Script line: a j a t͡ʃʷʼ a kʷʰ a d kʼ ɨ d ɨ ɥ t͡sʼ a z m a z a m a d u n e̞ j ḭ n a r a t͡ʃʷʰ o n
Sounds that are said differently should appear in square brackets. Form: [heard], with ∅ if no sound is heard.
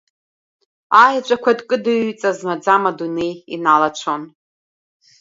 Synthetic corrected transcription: a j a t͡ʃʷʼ a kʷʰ a d kʼ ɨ d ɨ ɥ t͡sʼ a z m a [d͡z] a m a d u n e̞ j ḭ n a [l] a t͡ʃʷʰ o n